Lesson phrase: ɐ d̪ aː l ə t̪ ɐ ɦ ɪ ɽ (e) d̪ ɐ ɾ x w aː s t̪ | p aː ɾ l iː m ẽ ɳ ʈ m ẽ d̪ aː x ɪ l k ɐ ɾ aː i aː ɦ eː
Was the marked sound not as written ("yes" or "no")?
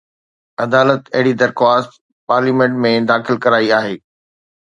yes